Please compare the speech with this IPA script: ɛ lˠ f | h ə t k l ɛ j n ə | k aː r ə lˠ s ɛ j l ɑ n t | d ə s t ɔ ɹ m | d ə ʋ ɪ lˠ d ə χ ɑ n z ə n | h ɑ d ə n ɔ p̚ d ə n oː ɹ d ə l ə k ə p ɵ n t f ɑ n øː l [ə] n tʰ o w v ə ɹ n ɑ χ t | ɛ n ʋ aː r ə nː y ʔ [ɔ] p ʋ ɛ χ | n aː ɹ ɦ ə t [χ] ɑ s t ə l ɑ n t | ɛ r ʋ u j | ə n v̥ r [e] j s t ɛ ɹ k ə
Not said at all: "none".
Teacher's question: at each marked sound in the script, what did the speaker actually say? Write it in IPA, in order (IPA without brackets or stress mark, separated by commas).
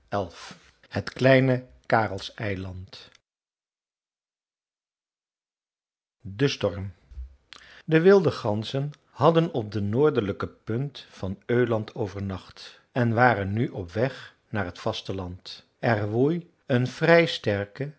ɑ, ɔ, f, ɛ